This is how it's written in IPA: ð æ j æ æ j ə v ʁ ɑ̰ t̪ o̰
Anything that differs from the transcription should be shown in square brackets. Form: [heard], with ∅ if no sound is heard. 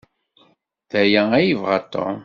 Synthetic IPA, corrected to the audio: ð æ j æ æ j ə v ʁ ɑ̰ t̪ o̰